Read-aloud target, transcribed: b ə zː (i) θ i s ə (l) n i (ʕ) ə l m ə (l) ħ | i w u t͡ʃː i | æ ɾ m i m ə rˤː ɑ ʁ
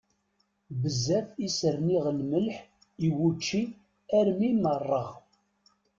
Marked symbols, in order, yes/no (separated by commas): no, no, no, yes